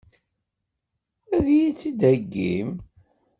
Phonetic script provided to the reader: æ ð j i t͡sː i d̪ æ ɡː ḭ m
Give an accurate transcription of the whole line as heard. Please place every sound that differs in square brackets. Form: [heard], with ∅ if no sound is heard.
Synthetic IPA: æ ð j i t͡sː i d̪ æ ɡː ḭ m